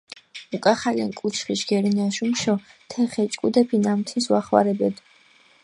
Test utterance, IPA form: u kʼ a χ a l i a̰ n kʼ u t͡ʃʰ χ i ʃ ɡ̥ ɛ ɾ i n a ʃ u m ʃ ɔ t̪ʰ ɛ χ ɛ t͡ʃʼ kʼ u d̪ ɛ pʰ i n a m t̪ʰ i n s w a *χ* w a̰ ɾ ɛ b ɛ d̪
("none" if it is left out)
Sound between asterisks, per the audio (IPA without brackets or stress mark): χ